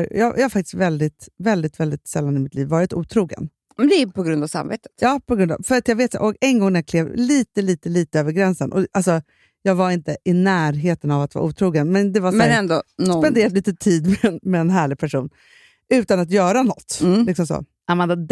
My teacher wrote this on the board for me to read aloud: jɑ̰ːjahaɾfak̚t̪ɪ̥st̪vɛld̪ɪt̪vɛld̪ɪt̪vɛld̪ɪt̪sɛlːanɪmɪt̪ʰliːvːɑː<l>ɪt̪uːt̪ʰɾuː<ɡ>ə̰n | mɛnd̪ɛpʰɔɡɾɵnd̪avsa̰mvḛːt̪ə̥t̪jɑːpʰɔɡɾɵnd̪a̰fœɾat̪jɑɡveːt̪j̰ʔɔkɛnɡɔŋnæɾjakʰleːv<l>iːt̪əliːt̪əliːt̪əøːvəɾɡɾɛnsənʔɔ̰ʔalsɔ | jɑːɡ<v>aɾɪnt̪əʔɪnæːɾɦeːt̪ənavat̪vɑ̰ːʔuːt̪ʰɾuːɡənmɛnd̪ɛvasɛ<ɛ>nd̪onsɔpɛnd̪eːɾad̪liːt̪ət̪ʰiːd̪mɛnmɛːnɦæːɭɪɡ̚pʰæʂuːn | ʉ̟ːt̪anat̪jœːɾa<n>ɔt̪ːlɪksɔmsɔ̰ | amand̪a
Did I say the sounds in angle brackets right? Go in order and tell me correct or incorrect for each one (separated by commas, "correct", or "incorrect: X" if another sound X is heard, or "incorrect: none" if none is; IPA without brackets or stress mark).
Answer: incorrect: ɾ, correct, correct, correct, correct, correct